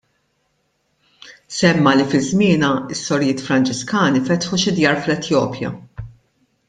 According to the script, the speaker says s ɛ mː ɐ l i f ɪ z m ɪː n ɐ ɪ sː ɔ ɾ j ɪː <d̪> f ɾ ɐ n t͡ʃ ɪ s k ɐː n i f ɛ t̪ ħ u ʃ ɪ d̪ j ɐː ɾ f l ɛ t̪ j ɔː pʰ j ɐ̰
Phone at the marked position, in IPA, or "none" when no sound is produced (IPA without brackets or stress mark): t̪